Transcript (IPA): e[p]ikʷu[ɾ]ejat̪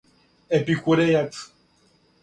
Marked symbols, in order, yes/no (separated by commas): yes, yes